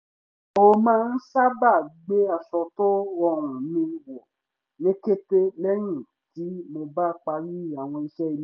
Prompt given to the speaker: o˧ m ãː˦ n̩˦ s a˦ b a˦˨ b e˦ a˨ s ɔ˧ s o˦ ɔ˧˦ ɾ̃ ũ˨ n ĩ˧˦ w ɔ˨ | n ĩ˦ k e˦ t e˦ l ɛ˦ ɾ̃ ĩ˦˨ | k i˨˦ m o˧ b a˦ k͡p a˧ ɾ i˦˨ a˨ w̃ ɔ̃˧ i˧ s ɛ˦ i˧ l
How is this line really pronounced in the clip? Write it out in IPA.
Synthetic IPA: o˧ m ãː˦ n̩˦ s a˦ b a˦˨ ɡ͡b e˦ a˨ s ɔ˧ t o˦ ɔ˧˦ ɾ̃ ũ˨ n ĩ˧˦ w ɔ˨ | n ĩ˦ k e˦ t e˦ l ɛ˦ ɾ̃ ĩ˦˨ | t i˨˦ m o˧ b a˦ k͡p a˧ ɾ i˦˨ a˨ w̃ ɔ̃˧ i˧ ʃ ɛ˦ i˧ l